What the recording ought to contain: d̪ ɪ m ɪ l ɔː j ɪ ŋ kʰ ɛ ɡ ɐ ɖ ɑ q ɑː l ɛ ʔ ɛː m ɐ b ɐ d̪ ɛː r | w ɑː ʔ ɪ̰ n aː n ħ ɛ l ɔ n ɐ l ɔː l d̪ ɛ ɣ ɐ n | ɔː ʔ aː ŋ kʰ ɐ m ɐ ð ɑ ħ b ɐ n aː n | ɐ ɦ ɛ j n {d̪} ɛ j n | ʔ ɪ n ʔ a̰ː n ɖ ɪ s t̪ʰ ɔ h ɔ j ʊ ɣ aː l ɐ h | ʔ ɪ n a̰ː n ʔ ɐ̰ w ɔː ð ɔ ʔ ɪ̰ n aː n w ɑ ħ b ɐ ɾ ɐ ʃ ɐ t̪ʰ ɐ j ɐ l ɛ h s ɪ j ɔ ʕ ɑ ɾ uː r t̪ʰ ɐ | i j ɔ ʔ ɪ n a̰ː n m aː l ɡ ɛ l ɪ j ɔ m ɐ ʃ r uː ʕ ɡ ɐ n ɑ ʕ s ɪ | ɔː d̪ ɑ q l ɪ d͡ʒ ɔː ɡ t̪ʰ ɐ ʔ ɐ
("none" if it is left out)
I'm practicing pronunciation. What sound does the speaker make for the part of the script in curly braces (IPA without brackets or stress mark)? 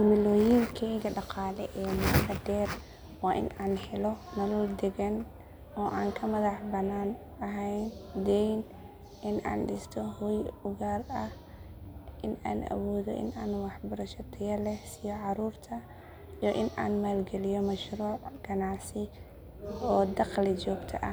d̪